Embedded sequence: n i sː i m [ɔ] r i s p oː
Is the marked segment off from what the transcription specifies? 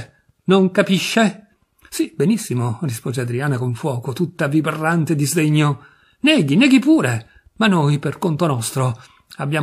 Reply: yes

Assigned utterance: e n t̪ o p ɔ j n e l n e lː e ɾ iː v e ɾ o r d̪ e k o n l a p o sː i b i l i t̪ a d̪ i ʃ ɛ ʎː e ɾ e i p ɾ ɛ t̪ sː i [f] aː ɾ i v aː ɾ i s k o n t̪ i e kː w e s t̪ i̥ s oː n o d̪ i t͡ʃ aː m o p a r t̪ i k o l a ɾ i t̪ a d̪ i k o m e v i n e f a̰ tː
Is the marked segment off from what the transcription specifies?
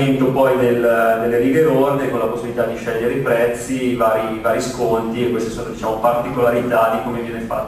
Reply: yes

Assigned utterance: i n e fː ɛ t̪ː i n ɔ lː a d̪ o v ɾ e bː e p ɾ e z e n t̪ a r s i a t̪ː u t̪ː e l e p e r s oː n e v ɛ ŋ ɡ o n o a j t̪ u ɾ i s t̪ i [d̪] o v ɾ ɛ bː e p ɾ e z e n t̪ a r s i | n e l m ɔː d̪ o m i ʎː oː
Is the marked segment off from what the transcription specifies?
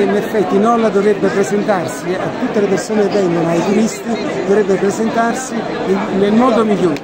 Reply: no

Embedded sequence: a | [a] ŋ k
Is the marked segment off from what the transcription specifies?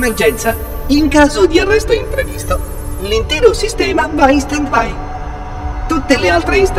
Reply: yes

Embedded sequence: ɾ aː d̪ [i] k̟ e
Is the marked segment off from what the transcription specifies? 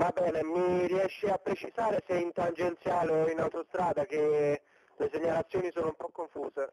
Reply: yes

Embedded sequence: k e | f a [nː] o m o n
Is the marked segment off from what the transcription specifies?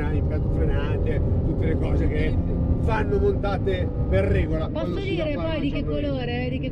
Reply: no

